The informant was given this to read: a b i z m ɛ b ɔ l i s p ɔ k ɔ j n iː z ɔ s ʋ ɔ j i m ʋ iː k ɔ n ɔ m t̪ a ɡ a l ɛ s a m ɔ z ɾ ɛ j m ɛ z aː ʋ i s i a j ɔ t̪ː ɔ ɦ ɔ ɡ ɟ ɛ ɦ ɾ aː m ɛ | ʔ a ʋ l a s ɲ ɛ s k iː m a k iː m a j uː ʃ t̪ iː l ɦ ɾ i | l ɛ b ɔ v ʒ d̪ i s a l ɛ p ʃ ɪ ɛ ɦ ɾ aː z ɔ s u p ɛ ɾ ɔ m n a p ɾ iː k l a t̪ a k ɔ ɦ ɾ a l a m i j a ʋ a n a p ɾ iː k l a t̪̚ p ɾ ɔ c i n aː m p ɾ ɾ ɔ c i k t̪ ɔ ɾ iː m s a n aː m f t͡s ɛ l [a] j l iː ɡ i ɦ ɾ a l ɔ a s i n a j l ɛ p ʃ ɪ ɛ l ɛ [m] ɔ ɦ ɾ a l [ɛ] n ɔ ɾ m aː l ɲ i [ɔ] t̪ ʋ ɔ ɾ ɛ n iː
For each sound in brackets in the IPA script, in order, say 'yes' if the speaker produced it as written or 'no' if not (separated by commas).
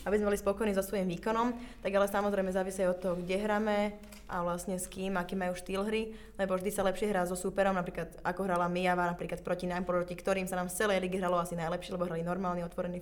no, no, no, yes